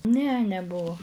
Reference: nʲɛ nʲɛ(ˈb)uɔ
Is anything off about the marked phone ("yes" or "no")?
no